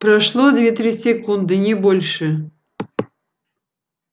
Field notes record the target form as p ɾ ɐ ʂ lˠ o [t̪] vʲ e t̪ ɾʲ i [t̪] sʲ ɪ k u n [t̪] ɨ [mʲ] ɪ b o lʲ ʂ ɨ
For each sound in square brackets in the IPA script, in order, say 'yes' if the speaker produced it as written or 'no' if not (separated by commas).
no, no, no, no